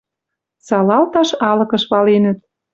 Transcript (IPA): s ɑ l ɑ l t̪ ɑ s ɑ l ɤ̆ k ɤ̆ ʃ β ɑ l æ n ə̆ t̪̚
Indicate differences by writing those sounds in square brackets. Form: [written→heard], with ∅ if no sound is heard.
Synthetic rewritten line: s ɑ l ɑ l t̪ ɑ [s→ʃ] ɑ l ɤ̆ k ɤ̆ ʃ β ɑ l [æ→e] n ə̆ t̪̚